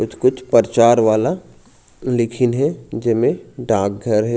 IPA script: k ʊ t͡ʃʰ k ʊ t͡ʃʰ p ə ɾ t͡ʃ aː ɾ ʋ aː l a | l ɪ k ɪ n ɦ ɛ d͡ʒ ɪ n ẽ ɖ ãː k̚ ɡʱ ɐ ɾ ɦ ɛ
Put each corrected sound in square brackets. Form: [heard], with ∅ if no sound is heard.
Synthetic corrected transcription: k ʊ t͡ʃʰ k ʊ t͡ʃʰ p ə ɾ t͡ʃ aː ɾ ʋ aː l a | l ɪ [kʰ] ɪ n ɦ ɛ d͡ʒ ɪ [m] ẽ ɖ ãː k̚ ɡʱ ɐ ɾ ɦ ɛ